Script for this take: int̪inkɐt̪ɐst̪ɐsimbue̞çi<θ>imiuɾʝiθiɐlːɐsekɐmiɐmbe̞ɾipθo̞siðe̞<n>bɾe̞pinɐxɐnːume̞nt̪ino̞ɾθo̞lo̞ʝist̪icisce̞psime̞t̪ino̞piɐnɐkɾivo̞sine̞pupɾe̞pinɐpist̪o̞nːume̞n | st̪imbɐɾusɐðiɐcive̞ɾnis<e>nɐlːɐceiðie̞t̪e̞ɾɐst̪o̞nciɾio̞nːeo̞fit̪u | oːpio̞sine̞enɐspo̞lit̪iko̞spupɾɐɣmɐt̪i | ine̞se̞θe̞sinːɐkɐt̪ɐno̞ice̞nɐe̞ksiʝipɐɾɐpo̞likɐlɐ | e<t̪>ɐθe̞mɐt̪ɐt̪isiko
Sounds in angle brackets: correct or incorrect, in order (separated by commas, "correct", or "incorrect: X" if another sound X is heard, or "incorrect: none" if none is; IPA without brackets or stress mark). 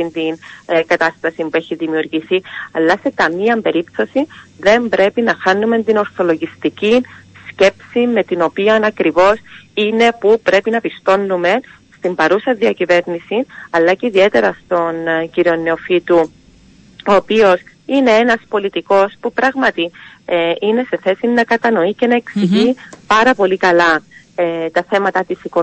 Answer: incorrect: ð, incorrect: m, incorrect: i, correct